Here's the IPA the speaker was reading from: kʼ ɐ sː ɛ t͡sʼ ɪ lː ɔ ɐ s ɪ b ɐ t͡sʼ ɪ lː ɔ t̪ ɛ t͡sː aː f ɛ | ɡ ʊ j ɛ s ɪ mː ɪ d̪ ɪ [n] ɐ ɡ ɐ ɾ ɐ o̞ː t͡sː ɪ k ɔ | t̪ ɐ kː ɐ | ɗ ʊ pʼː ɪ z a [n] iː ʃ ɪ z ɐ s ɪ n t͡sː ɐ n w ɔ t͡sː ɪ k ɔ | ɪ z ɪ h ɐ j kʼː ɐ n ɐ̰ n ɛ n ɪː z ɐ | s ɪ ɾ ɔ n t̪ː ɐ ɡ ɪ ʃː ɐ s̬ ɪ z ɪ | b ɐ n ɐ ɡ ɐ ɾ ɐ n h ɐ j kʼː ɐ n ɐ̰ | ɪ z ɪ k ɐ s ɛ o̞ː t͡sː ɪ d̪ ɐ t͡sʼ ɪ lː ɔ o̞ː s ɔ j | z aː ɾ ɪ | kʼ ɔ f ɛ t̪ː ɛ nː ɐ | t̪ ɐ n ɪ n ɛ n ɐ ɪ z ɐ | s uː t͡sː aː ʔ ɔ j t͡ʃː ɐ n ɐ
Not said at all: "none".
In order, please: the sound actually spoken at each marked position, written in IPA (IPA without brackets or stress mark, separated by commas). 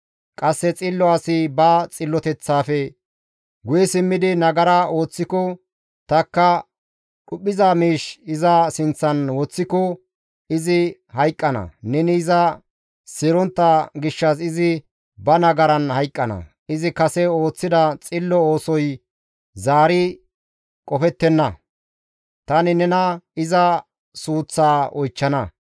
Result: n, m